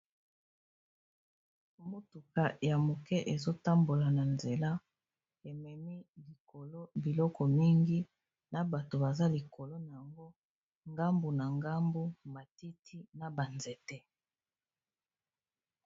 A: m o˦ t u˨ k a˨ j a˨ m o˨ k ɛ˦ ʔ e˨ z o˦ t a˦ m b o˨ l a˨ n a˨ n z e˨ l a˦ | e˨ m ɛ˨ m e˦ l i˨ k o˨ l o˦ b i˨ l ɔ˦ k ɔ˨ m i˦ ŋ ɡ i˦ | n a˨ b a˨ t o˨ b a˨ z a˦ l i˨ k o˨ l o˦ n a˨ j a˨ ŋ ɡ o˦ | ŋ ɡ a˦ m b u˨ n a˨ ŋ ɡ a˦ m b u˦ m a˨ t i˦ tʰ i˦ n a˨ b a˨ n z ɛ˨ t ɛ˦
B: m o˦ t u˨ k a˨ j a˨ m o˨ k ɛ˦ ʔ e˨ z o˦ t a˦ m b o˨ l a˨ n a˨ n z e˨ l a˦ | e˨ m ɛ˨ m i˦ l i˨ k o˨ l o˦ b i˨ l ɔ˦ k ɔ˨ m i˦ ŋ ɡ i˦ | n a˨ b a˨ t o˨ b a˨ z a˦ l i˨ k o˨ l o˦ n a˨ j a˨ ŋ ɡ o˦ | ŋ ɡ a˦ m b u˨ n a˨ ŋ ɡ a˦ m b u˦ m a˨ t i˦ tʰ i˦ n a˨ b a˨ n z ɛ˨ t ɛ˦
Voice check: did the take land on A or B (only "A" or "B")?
B